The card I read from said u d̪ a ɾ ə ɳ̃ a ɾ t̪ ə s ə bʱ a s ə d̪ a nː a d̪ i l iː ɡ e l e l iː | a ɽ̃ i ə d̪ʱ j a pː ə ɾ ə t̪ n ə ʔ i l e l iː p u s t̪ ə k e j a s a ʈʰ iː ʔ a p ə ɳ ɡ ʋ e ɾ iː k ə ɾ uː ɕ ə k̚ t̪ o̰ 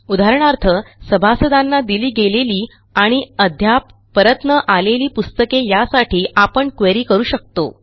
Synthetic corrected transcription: u d̪ a ɾ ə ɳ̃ a ɾ t̪ʰ ə s ə bʱ a s ə d̪ a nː a d̪ i l iː ɡ e l e l iː | a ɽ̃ i ə d̪ʱ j a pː ə ɾ ə t̪ n ə ʔ a l e l iː p u s t̪ ə k e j a s a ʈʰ iː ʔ a p ə ɳ k ʋ e ɾ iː k ə ɾ uː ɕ ə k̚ t̪ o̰